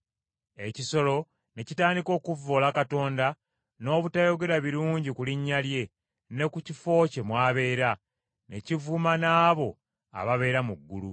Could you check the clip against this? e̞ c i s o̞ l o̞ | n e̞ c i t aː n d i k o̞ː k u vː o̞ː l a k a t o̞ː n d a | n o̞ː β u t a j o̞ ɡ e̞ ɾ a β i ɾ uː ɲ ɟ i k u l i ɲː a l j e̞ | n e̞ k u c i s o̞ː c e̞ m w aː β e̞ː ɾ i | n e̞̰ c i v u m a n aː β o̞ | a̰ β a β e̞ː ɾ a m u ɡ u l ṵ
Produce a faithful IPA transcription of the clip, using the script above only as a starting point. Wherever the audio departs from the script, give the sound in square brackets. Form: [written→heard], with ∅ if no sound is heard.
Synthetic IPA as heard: e̞ c i s o̞ l o̞ | n e̞ c i t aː n d i k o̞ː k u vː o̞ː l a k a t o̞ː n d a | n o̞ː β u t a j o̞ ɡ e̞ ɾ a β i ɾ uː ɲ ɟ i k u l i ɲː a l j e̞ | n e̞ k u c i [s→f] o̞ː c e̞ m w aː β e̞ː ɾ [i→a] | n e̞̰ c i v u m a n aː β o̞ | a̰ β a β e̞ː ɾ a m u [ɡ→ɡː] u l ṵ